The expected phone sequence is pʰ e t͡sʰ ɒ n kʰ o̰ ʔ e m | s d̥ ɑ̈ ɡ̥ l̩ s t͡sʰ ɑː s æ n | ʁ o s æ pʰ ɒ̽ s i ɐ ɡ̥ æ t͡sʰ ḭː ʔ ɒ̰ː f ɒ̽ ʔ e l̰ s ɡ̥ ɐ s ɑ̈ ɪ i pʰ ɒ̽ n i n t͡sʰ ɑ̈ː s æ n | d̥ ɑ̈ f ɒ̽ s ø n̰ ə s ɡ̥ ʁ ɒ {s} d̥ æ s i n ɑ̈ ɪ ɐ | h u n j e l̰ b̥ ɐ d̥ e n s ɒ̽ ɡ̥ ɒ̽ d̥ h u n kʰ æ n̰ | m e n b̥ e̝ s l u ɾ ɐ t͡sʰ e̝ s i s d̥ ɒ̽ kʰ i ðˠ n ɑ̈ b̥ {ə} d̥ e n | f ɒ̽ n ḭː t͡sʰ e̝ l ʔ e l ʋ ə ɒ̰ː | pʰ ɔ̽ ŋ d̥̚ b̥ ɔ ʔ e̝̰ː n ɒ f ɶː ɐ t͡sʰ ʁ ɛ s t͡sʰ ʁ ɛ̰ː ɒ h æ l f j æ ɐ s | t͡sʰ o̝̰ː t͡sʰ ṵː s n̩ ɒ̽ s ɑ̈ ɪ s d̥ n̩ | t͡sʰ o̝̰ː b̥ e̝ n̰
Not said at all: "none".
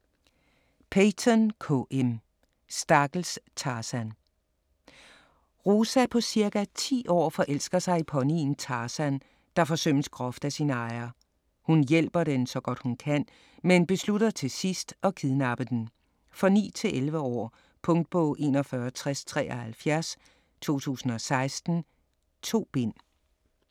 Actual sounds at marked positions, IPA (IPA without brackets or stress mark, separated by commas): f, ə